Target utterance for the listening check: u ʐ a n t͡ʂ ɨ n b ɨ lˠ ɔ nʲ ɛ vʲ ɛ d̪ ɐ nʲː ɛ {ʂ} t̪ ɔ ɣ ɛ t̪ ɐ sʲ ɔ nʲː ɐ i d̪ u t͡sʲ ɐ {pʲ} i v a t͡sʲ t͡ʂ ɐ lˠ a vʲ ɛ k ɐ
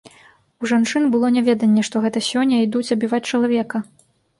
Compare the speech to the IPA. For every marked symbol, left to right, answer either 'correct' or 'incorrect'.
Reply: correct, incorrect: bʲ

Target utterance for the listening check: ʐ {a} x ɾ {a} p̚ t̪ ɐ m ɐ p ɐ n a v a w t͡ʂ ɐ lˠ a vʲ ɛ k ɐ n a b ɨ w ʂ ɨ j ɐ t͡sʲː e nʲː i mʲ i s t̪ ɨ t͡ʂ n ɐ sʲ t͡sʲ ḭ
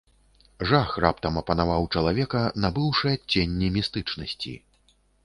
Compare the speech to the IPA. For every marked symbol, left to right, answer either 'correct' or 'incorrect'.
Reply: correct, correct

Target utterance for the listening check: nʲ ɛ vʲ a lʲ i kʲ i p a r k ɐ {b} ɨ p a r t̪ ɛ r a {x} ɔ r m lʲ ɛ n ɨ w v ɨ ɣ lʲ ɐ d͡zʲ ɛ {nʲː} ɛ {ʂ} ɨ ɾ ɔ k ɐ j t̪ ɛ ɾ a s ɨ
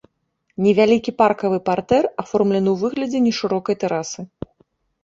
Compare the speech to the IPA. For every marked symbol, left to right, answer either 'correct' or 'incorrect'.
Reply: incorrect: v, incorrect: f, incorrect: nʲ, correct

